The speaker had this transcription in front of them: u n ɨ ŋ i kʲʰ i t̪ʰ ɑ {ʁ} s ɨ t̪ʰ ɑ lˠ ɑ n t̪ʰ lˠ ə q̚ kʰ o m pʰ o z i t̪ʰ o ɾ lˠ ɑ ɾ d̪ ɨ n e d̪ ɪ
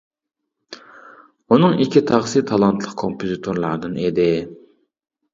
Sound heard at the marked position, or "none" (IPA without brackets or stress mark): ʁ